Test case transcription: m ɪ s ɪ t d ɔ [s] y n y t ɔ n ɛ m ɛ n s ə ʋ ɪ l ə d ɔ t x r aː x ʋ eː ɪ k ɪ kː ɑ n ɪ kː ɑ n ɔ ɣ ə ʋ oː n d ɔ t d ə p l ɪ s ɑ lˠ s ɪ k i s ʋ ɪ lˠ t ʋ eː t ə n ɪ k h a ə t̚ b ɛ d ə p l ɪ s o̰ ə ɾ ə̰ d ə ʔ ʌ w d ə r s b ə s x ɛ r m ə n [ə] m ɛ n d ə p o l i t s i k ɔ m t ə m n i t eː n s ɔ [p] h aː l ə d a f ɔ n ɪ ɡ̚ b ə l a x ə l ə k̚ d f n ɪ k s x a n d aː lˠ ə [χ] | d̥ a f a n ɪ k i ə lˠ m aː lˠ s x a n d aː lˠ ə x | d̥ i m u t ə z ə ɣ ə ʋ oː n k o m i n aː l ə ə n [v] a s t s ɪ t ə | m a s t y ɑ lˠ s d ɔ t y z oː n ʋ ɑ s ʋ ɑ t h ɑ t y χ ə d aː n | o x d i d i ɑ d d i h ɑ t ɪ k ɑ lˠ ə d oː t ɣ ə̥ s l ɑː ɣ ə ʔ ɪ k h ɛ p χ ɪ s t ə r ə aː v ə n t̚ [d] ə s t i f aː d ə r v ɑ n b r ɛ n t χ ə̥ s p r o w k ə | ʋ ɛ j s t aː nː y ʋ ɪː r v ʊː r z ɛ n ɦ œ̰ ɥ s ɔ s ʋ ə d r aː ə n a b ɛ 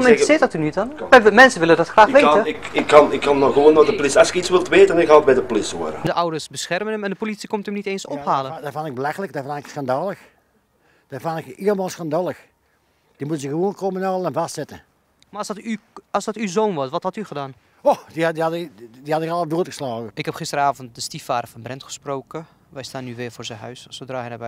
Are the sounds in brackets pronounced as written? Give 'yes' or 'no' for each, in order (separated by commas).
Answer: no, yes, yes, no, yes, yes